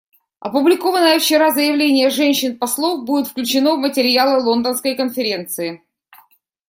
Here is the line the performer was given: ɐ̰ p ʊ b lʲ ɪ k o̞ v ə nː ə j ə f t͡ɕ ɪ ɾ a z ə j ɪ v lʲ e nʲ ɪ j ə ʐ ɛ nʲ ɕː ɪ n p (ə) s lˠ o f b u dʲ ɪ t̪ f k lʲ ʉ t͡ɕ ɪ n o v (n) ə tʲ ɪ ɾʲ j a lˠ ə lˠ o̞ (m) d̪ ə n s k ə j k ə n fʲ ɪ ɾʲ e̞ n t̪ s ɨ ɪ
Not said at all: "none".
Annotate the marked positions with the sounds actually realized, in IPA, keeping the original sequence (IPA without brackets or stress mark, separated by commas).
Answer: ɐ, m, n